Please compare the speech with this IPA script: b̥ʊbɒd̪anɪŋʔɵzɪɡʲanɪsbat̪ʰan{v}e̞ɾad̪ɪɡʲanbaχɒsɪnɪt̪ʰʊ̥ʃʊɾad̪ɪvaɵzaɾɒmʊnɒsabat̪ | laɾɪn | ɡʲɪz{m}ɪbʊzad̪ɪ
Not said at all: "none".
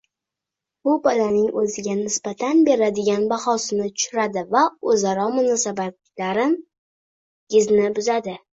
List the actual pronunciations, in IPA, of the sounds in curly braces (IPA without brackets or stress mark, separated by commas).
b, n